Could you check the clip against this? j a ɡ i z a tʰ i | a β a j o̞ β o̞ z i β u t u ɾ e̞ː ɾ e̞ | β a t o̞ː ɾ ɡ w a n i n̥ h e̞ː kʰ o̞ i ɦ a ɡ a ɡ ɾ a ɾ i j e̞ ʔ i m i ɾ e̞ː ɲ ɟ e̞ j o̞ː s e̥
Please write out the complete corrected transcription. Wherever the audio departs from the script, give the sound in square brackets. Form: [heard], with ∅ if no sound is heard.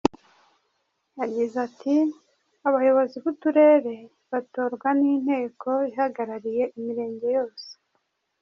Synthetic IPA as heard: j a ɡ i z a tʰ i | a β a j o̞ β o̞ z i β u t u ɾ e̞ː ɾ e̞ | β a t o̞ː ɾ ɡ w a n i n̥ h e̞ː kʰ o̞ i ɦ a ɡ a [∅] ɾ a ɾ i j e̞ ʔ i m i ɾ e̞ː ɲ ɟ e̞ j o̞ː s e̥